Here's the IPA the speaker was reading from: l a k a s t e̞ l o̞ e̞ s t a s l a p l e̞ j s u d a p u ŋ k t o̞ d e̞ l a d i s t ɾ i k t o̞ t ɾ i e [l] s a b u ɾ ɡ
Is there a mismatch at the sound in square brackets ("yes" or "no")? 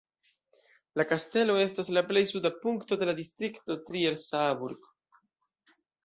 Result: no